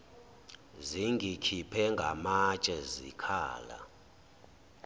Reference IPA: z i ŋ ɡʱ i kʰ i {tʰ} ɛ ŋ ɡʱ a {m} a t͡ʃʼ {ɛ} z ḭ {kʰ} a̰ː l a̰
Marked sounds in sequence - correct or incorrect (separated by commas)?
incorrect, correct, correct, correct